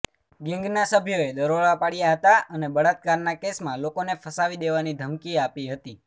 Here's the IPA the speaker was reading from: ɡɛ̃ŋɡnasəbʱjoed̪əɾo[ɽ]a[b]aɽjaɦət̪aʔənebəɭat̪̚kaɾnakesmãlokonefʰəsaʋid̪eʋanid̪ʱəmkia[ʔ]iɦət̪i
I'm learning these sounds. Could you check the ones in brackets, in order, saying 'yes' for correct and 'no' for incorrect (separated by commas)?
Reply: no, no, no